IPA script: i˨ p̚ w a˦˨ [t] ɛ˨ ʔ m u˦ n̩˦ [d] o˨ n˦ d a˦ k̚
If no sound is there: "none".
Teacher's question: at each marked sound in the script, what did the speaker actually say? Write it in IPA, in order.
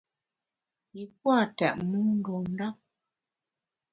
t, d

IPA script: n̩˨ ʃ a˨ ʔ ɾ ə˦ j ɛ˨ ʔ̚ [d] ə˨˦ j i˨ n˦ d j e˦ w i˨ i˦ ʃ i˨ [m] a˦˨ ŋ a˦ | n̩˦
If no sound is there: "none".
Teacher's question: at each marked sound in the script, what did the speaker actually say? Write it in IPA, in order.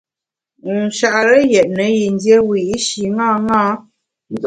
n, ŋ

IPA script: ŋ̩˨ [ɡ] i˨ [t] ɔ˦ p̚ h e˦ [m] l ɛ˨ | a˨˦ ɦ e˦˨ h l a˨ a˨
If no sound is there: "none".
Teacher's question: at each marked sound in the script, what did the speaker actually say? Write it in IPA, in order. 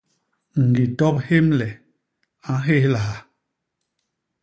ɡ, t, m

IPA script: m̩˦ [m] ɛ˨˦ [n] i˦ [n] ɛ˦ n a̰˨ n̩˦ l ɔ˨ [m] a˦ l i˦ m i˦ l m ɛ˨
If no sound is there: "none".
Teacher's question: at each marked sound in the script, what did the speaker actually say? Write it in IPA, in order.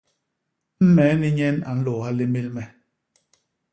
m, n, ɲ, none

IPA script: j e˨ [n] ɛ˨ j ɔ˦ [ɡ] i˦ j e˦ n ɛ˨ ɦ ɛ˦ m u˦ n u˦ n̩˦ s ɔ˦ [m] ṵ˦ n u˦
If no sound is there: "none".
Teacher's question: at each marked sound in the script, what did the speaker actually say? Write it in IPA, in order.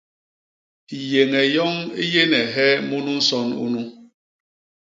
ŋ, ŋ, n

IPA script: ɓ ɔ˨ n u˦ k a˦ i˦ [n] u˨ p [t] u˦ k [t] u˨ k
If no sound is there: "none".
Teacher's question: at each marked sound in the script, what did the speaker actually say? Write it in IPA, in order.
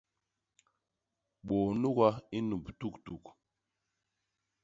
n, t, t

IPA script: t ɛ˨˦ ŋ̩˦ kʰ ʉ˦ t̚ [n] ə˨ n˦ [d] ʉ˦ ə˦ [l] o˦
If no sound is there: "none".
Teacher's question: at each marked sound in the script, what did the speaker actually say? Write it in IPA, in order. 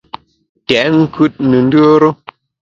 n, d, ɾ

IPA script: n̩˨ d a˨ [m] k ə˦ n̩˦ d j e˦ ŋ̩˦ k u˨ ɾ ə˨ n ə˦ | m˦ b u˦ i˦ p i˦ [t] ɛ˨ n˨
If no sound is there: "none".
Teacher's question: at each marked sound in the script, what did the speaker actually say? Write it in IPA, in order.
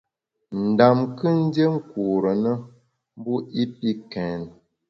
m, k

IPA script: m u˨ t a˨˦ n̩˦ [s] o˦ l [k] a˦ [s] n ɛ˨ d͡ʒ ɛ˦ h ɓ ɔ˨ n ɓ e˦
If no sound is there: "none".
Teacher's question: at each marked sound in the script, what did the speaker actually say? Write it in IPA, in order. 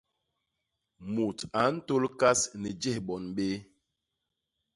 t, k, s

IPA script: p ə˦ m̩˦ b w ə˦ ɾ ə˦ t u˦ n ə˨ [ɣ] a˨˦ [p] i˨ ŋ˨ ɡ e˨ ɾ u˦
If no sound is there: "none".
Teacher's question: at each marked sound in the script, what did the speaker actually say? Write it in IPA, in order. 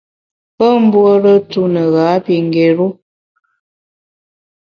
ɣ, p

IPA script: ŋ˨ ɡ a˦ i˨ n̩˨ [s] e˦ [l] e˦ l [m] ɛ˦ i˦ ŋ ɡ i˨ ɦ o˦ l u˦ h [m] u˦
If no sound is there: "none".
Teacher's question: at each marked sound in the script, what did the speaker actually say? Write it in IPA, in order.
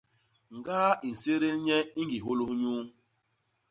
s, ɾ, ɲ, ɲ

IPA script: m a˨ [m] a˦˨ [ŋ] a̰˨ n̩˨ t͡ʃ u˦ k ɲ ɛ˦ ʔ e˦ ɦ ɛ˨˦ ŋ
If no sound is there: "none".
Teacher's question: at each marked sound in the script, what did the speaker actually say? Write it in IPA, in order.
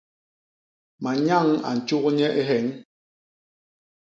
ɲ, ŋ

